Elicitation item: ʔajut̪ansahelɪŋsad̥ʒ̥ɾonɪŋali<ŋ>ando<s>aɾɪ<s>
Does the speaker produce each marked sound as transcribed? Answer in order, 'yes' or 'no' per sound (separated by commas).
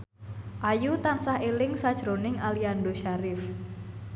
no, no, no